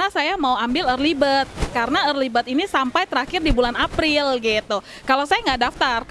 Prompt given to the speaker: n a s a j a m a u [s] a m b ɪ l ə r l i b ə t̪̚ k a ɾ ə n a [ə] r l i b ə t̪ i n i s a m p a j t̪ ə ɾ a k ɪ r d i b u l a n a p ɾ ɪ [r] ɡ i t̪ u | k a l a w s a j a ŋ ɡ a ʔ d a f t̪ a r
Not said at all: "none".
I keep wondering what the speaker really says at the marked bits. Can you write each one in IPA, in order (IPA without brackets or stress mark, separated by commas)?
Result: none, ə, l